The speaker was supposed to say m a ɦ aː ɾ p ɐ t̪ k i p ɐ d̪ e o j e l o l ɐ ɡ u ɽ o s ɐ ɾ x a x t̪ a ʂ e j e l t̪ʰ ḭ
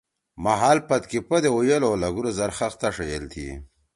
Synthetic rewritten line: m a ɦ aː l p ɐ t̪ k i p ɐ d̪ e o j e l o l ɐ ɡ u ɾ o z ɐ ɾ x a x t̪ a ʂ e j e l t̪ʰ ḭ

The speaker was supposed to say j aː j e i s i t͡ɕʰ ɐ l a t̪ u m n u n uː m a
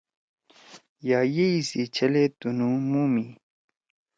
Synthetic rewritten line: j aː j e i s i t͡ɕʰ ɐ l e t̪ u n u m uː m i

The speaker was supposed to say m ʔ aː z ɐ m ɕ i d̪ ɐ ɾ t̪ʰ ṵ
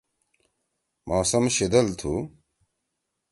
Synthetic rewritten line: m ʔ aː s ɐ m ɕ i d̪ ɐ l t̪ʰ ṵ

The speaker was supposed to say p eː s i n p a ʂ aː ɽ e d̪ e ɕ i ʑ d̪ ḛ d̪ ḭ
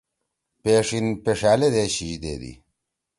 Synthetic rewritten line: p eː ʂ i n p e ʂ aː l e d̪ e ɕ i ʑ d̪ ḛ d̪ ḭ

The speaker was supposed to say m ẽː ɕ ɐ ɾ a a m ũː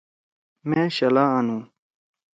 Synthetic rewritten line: m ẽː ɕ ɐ l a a n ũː

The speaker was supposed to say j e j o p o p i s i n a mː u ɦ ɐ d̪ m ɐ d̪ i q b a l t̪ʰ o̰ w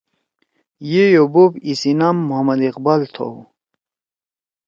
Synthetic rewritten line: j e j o b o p i s i n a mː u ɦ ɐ m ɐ d̪ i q b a l t̪ʰ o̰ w

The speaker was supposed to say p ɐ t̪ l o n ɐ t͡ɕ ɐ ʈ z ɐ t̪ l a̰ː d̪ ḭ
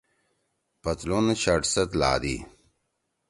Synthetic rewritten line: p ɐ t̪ l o n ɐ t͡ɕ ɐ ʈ s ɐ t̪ l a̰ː d̪ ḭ

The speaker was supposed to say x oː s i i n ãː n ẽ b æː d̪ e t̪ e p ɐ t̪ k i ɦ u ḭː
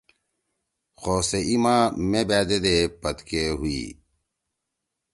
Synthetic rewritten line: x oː s e i m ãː m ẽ b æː d̪ e d̪ e p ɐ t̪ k e ɦ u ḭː

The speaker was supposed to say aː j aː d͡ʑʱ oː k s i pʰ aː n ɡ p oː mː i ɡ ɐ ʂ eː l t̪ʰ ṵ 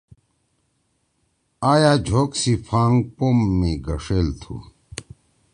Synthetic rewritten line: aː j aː d͡ʑʱ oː k s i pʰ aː ŋ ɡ p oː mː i ɡ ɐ ʂ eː l t̪ʰ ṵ

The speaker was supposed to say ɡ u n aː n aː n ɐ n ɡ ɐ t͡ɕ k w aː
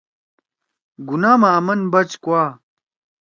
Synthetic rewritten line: ɡ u n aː m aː m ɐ n b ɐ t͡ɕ k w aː

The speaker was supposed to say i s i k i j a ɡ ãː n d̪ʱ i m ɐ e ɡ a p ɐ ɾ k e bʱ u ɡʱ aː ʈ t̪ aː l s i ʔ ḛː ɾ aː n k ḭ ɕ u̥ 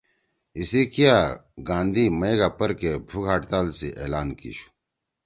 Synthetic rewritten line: i s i k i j a ɡ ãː n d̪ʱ i m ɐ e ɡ a p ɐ ɾ k e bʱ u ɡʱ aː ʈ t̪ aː l s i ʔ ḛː l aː n k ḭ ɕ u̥

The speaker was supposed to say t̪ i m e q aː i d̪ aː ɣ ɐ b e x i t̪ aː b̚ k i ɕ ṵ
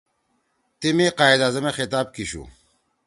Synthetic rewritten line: t̪ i m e q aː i d̪ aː z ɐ m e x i t̪ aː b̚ k i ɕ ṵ

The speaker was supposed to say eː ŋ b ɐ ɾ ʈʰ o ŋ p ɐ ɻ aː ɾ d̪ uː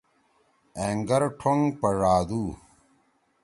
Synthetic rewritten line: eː ŋ ɡ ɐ ɾ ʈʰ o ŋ p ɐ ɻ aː d̪ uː

